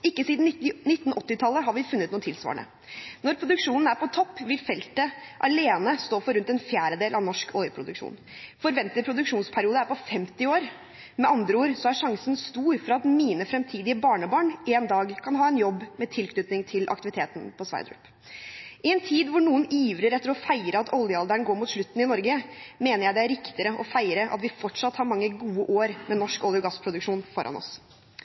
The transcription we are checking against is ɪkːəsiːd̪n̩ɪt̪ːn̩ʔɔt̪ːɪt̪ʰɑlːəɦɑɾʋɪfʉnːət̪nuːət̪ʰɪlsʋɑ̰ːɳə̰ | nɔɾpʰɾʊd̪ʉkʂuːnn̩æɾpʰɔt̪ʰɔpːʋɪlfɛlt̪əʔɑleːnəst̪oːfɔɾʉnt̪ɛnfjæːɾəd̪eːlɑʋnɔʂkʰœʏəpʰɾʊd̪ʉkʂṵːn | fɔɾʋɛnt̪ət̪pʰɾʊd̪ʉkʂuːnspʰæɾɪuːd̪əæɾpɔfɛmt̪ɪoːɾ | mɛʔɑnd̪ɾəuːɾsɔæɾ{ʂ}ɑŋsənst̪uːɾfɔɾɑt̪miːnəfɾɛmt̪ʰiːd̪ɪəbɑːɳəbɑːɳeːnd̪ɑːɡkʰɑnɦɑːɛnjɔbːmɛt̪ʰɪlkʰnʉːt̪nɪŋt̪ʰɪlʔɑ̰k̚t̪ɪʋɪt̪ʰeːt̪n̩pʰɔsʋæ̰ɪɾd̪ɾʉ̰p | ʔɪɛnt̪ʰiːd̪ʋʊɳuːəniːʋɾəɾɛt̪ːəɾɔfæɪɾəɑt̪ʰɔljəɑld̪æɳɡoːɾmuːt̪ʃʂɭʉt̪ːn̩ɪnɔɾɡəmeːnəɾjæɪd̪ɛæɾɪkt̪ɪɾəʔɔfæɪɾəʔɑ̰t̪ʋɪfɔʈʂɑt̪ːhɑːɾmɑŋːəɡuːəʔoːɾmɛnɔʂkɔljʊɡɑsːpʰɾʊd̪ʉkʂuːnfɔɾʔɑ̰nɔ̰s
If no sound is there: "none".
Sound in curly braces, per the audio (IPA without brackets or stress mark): ʂ